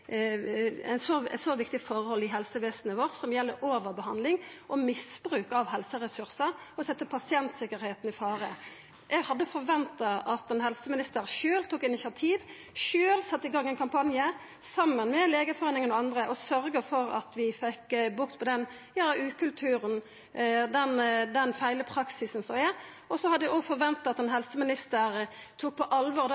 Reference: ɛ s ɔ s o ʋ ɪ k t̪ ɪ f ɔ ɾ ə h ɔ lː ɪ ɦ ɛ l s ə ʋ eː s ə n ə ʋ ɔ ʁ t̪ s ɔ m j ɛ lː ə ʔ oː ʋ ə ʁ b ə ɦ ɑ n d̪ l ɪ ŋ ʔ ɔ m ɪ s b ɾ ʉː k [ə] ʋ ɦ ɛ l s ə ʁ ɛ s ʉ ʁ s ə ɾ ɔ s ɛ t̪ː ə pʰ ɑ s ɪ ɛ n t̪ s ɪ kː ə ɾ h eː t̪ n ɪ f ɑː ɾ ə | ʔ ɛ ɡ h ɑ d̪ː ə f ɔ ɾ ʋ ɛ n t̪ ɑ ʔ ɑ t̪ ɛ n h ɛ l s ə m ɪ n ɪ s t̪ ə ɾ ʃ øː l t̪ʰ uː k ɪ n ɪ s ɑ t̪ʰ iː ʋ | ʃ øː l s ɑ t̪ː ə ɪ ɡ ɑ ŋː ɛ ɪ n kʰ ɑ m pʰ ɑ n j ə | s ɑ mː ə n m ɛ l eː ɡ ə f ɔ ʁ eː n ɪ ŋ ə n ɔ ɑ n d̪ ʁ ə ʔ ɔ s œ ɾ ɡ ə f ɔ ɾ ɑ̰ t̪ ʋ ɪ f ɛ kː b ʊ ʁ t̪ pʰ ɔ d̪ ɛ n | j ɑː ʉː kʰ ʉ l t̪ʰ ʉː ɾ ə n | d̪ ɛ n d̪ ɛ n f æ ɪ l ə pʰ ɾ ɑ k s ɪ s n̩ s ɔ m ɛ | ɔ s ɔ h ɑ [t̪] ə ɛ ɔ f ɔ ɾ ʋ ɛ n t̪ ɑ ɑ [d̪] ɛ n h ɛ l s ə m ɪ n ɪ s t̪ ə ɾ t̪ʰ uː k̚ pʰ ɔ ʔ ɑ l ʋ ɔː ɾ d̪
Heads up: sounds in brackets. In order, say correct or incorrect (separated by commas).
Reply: incorrect, incorrect, incorrect